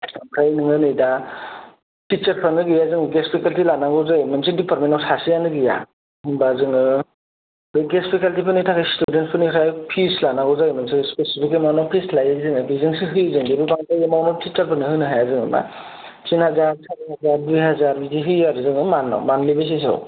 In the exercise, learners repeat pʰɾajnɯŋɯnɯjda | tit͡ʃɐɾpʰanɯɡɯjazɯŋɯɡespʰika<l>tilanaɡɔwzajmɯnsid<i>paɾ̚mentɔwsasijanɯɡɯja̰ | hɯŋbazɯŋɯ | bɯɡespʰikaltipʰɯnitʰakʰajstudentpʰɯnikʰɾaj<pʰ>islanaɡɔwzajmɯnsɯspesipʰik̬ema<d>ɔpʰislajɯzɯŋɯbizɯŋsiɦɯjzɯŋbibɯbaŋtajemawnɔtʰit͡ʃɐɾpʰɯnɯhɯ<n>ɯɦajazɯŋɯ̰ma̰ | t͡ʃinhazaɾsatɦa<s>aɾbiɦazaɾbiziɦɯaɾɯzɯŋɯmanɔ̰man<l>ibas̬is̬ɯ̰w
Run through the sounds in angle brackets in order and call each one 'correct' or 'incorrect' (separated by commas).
correct, correct, correct, incorrect, correct, incorrect, correct